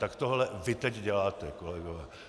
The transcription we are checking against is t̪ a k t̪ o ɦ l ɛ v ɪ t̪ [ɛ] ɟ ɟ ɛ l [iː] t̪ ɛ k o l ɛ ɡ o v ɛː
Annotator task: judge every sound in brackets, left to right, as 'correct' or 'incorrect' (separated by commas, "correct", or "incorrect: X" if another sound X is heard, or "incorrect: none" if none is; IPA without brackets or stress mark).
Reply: correct, incorrect: aː